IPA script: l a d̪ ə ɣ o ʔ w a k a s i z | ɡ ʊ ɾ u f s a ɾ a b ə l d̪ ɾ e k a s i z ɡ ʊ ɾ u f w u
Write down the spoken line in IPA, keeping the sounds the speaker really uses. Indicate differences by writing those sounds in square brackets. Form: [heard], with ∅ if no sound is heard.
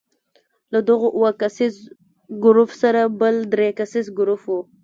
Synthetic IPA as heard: l a d̪ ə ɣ o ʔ w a k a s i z | ɡ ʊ ɾ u f s a ɾ a b ə l d̪ ɾ e k a s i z ɡ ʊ ɾ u f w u